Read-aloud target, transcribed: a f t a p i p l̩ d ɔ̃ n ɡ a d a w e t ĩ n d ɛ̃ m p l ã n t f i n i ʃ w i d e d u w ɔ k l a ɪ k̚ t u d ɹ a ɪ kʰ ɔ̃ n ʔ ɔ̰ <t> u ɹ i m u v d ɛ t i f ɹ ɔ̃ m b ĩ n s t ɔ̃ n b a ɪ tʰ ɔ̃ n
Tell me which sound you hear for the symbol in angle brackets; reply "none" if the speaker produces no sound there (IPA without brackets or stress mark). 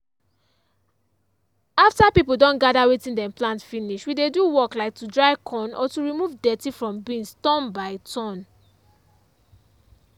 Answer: t